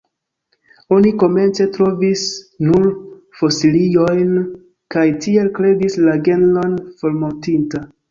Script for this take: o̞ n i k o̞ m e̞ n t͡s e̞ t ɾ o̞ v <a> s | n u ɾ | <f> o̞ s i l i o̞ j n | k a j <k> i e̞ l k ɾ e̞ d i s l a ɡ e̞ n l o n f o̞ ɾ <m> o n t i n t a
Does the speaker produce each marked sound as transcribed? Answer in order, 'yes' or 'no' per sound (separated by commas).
no, yes, no, yes